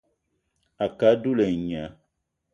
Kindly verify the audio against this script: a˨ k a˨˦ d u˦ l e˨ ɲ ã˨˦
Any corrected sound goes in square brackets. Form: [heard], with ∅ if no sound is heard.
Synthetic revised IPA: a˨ k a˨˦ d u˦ l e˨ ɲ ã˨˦